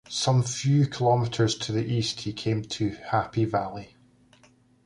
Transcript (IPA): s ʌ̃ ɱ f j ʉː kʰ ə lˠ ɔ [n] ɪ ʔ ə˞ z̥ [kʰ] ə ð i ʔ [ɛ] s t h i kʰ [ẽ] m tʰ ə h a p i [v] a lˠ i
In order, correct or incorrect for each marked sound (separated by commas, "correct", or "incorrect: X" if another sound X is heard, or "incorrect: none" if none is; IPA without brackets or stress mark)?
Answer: incorrect: m, incorrect: tʰ, incorrect: i, correct, correct